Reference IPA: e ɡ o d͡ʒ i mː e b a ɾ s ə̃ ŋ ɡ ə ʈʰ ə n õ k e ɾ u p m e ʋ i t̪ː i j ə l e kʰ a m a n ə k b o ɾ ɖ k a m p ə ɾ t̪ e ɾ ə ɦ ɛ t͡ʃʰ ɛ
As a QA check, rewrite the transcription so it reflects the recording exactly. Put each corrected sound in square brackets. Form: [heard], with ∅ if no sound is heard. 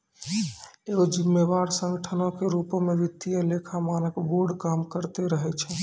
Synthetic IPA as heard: e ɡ o d͡ʒ i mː e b a ɾ s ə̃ ŋ ɡ ə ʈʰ ə n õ k e ɾ u p m e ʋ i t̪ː i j ə l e kʰ a m a n ə k b o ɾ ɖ k a m [k] ə ɾ t̪ e ɾ ə ɦ ɛ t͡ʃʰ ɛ